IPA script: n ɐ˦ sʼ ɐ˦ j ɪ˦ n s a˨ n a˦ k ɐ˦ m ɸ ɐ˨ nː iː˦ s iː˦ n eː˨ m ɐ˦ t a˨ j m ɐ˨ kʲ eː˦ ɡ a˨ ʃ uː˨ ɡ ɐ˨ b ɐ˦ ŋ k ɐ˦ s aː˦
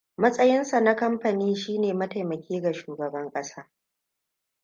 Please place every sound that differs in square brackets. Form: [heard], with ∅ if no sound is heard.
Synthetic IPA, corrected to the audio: [m] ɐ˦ sʼ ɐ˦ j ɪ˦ n s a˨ n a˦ k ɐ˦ m ɸ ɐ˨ [n] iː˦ [ʃ] iː˦ n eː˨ m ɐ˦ t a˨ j m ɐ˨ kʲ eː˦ ɡ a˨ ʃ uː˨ ɡ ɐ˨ b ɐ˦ ŋ [kʼ] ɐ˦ s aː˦